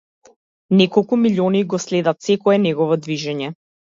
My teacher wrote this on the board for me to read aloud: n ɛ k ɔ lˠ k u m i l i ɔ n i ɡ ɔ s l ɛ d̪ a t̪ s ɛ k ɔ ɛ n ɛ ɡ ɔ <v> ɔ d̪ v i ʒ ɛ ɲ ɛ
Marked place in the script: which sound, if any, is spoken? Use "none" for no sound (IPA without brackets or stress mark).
v